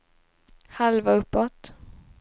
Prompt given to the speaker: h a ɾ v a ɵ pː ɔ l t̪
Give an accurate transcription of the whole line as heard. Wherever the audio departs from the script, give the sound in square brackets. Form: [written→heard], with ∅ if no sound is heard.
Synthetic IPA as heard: h a [ɾ→l] v a ɵ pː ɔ [l→∅] t̪